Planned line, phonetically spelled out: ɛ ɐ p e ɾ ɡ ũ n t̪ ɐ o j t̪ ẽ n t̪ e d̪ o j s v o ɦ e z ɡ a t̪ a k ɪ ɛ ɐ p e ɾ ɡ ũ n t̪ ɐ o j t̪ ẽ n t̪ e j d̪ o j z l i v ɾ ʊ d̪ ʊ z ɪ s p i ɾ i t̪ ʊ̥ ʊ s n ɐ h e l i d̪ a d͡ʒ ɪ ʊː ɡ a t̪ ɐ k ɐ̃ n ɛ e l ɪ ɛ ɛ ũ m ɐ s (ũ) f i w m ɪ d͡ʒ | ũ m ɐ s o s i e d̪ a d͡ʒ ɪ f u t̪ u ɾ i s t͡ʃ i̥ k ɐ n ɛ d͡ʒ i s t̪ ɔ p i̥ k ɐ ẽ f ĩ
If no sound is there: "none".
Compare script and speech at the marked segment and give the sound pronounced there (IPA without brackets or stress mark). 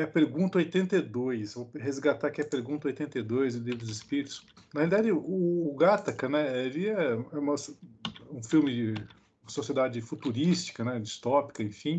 ũ